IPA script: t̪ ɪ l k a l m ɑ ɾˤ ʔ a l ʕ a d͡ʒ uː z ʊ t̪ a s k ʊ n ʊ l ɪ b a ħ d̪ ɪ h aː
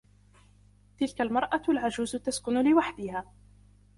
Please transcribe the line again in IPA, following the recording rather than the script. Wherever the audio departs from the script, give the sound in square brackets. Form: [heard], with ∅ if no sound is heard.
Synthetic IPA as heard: t̪ ɪ l k a l m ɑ ɾˤ ʔ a l ʕ a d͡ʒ uː z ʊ t̪ a s k ʊ n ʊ l ɪ [w] a ħ d̪ ɪ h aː